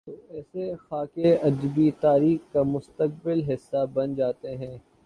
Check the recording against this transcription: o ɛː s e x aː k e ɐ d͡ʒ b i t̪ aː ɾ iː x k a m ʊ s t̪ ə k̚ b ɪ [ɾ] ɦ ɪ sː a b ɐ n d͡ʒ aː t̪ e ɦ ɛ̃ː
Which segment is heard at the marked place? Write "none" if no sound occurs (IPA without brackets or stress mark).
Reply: l